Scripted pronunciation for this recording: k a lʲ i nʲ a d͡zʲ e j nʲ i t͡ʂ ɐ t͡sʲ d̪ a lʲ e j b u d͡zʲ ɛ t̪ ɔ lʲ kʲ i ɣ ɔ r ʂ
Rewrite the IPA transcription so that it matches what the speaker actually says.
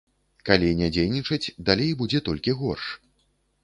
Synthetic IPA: k a lʲ i nʲ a d͡zʲ e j nʲ i t͡ʂ ɐ t͡sʲ d̪ a lʲ e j b u d͡zʲ ɛ t̪ ɔ lʲ kʲ i ɣ ɔ r ʂ